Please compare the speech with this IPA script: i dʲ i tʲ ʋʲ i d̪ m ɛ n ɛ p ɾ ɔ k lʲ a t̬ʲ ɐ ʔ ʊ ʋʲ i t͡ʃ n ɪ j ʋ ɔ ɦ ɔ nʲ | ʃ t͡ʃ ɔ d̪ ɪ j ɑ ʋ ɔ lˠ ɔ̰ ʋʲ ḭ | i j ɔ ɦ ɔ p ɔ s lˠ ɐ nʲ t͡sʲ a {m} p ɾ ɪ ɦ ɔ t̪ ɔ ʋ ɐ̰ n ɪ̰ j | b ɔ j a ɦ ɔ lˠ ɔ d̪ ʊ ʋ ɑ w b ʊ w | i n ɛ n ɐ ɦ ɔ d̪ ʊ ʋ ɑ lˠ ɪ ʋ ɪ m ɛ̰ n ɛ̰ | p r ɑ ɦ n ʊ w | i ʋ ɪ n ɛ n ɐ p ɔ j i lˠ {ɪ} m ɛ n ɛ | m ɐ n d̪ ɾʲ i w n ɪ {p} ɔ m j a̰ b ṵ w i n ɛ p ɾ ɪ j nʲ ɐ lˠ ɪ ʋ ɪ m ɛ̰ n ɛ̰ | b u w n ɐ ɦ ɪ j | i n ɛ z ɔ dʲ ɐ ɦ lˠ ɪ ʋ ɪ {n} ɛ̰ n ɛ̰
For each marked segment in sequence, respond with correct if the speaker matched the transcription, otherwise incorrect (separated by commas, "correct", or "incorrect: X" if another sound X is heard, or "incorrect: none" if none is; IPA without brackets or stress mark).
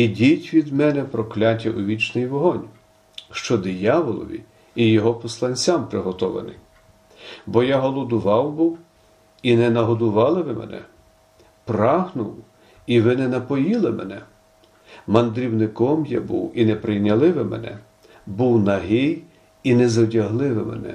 correct, correct, incorrect: k, incorrect: m